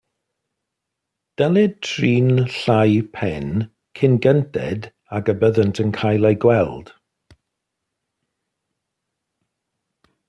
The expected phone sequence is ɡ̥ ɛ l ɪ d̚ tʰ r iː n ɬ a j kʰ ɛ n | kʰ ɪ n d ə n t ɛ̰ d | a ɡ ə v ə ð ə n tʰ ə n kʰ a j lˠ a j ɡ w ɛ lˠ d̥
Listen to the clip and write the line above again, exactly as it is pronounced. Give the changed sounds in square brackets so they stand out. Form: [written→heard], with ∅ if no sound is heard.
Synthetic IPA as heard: [ɡ̥→d̥] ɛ l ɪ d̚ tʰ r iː n ɬ a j [kʰ→pʰ] ɛ n | kʰ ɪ n [d→ɡ] ə n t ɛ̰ d | a ɡ ə [v→b] ə ð ə n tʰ ə n kʰ a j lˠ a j ɡ w ɛ lˠ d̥